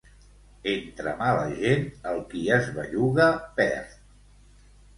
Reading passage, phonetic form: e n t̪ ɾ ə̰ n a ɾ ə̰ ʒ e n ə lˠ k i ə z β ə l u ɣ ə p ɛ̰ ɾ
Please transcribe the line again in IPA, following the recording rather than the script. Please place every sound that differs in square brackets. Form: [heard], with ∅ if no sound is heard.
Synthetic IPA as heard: e n t̪ ɾ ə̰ [m] a [l] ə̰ ʒ e n ə lˠ k i ə z β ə [ʎ] u ɣ ə p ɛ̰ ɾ